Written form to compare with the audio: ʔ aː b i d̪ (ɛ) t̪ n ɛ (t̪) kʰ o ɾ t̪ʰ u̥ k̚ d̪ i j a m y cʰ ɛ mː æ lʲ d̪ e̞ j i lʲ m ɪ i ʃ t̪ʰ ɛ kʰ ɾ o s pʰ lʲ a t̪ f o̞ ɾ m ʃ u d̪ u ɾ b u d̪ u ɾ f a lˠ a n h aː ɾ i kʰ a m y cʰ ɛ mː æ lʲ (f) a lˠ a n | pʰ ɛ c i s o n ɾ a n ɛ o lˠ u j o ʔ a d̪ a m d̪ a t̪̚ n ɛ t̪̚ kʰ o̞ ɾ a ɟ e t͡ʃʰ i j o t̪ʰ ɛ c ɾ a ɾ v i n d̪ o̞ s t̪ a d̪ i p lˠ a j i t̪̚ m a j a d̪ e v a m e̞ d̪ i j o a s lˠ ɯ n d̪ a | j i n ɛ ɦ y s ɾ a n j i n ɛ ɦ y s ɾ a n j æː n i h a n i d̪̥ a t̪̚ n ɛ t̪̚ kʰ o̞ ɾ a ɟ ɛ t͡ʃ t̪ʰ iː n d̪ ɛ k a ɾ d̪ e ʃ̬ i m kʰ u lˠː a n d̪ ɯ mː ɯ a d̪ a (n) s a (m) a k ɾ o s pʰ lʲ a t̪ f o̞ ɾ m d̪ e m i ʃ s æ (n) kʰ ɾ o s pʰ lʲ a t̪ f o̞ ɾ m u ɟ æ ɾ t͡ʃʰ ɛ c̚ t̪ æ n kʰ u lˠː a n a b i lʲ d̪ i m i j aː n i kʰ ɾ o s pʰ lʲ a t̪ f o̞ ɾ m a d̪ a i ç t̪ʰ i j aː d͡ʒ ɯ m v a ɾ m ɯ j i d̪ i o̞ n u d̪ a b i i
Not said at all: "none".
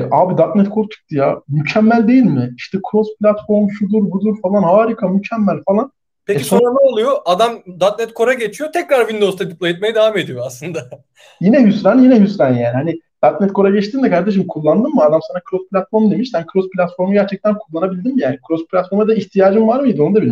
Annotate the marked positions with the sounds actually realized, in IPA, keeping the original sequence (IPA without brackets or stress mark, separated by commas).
a, t̪, f, m, n, n